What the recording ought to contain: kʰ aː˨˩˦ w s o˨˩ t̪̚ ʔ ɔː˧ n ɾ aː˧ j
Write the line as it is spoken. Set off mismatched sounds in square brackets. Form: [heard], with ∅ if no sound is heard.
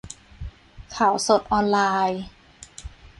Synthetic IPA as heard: kʰ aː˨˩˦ w s o˨˩ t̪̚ ʔ ɔː˧ n [l] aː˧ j